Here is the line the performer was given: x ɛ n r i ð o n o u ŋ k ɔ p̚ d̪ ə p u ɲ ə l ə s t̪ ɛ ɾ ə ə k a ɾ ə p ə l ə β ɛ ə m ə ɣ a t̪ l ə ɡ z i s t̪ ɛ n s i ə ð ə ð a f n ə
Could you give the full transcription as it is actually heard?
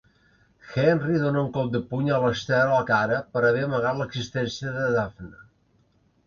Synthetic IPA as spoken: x ɛ n r i ð o n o u ŋ k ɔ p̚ d̪ ə p u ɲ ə l ə s t̪ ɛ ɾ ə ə k a ɾ ə p ə ɾ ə β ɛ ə m ə ɣ a t̪ l ə ɡ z i s t̪ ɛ n s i ə ð ə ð a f n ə